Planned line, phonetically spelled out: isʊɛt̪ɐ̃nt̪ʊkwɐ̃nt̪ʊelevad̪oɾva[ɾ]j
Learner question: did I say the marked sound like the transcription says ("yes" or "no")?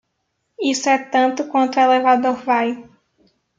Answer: no